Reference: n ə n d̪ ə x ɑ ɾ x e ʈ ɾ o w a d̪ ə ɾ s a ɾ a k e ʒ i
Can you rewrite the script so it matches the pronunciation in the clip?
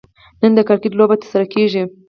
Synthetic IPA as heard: n ə n d̪ ə k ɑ ɾ k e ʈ l o b a t̪ ə ɾ s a ɾ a k e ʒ i